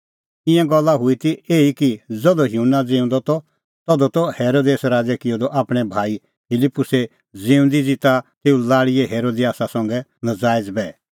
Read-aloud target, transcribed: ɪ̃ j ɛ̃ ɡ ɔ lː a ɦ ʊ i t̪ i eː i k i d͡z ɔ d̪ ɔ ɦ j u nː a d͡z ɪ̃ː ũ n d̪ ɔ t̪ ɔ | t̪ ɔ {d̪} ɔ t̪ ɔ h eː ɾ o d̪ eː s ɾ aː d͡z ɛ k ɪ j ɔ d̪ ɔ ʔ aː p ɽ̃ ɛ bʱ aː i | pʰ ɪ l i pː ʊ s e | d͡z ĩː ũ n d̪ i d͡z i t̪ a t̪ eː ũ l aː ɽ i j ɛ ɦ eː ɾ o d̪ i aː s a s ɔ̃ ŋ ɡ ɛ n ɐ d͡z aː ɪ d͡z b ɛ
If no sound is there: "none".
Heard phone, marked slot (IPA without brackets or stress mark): d̪